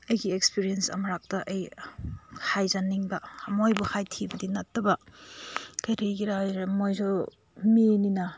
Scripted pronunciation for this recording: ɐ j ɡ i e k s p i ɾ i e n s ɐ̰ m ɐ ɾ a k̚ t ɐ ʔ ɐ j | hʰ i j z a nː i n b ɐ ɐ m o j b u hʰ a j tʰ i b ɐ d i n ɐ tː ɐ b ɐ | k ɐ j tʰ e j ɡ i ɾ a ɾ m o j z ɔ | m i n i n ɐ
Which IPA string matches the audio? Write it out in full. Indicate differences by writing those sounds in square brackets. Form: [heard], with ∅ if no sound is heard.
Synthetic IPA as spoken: ɐ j ɡ i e k s p i ɾ i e n s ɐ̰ m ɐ ɾ a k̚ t ɐ ʔ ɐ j | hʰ [a] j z a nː i [ŋ] b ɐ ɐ m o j b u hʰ a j tʰ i b ɐ d i n ɐ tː ɐ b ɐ | k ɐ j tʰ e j ɡ i ɾ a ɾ m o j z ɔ | m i n i n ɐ